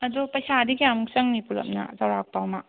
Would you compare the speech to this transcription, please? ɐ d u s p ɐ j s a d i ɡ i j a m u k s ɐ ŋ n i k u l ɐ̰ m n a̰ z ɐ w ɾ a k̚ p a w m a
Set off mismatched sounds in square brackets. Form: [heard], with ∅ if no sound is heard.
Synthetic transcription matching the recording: ɐ d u [∅] p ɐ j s a d i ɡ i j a m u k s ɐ ŋ n i [p] u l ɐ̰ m n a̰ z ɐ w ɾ a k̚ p a w m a